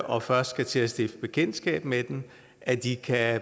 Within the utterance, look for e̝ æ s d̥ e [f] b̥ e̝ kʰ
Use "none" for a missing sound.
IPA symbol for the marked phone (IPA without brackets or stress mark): f